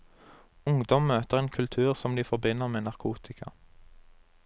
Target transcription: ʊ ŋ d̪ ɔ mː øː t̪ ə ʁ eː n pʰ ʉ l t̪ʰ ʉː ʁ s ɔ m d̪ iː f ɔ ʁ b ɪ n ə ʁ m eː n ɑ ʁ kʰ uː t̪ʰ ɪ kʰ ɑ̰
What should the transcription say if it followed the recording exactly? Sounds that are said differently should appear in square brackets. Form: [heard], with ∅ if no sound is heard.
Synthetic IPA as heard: ʊ ŋ d̪ ɔ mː øː t̪ ə ʁ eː n [kʰ] ʉ l t̪ʰ ʉː ʁ s ɔ m d̪ iː f ɔ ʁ b ɪ n ə ʁ m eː n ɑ ʁ kʰ uː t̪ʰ ɪ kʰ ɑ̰